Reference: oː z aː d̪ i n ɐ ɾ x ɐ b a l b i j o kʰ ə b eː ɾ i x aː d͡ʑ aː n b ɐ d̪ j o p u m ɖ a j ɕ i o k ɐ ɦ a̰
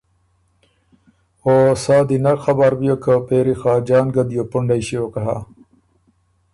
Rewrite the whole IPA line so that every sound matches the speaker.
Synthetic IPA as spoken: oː s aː d̪ i n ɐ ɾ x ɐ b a ɾ b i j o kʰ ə p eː ɾ i x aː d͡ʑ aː n ɡ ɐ d̪ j o p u ɳ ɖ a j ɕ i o k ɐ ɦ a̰